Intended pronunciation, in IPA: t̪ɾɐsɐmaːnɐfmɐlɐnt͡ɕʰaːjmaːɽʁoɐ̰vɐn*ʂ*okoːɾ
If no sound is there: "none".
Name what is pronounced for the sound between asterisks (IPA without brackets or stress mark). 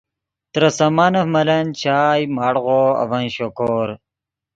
ɕ